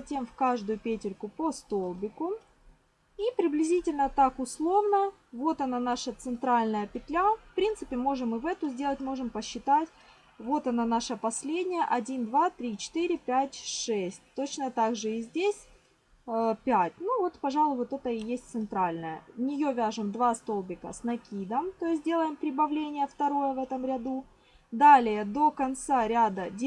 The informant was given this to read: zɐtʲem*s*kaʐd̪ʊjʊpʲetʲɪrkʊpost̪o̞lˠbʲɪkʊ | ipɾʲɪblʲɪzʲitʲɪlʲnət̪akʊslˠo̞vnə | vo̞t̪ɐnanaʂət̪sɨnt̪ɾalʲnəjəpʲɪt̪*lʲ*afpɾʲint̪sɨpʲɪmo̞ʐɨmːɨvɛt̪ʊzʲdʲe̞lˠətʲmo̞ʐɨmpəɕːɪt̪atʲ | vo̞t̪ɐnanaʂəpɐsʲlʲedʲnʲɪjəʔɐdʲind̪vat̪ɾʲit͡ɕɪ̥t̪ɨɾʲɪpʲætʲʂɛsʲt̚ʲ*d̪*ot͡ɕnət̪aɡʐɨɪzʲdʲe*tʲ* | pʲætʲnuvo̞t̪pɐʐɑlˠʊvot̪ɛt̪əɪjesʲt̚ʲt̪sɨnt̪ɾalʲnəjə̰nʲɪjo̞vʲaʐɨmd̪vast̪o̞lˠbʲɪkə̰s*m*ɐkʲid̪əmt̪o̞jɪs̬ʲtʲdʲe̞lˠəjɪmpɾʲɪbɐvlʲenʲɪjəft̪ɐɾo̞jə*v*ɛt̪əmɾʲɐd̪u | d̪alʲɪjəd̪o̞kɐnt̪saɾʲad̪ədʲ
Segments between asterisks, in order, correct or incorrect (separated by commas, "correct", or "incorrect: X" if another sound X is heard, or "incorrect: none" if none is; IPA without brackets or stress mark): incorrect: f, correct, incorrect: t̪, incorrect: sʲ, incorrect: n, correct